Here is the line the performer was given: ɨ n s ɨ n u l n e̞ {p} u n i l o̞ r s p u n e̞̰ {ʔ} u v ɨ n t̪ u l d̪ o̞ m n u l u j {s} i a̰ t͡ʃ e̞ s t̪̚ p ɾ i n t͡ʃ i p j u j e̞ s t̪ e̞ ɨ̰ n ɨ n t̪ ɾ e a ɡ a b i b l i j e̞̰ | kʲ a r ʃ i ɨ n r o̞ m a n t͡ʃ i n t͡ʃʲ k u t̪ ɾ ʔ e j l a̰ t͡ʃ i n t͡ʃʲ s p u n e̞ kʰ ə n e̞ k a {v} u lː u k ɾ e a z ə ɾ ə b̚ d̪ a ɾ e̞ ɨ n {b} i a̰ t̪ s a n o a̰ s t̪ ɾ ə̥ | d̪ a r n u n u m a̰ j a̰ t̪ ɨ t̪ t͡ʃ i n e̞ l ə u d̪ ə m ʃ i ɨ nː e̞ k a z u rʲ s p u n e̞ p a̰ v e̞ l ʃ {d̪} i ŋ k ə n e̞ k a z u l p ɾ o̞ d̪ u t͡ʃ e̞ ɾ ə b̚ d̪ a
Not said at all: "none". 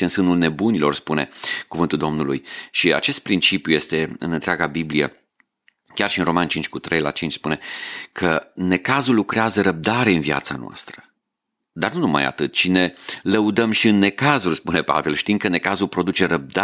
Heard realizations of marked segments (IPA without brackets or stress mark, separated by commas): b, k, ʃ, z, v, t̪